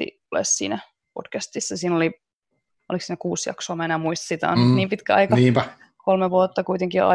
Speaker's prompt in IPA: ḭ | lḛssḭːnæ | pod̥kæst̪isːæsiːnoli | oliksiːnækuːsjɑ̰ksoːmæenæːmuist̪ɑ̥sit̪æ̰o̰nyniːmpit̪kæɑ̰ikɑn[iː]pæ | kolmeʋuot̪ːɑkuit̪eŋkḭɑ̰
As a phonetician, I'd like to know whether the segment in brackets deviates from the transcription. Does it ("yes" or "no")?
no